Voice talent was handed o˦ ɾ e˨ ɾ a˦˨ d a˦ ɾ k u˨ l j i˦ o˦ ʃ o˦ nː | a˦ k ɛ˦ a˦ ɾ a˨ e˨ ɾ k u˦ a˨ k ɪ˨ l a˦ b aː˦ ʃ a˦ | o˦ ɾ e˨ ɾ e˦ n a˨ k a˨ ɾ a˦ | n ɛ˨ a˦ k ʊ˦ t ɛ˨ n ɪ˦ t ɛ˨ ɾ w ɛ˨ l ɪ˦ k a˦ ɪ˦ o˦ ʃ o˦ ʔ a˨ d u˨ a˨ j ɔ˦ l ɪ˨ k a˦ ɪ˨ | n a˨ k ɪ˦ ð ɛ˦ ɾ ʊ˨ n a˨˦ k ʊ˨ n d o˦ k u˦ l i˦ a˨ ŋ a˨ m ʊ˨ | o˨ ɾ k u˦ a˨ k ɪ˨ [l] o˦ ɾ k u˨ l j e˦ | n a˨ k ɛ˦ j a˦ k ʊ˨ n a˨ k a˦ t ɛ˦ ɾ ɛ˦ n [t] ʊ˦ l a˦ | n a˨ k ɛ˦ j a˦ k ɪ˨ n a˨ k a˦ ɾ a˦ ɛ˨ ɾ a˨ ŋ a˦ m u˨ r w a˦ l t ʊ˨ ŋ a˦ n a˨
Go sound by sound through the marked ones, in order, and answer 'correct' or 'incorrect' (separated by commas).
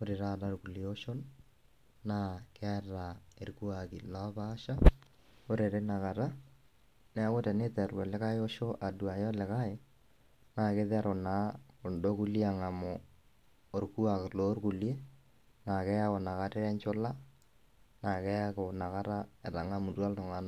correct, incorrect